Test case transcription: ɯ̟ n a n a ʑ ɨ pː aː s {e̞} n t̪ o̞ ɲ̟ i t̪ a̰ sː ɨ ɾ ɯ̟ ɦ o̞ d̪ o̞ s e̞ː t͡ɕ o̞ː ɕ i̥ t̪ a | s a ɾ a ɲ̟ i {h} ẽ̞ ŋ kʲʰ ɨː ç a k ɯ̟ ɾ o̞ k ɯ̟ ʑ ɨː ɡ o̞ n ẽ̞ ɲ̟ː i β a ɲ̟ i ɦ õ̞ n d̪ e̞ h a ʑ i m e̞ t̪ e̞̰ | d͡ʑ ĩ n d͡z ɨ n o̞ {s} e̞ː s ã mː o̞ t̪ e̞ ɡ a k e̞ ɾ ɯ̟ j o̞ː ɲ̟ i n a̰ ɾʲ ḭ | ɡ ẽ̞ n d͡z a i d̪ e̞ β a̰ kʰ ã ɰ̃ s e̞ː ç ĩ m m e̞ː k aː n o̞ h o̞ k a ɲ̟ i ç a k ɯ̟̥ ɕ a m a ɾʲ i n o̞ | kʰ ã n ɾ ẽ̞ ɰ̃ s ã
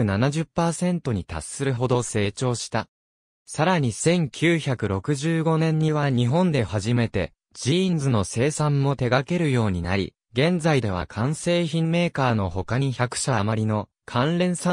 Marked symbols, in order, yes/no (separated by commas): no, no, yes